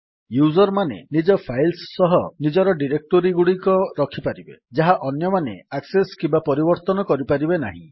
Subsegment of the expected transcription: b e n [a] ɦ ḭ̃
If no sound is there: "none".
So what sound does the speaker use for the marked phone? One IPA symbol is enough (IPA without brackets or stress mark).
a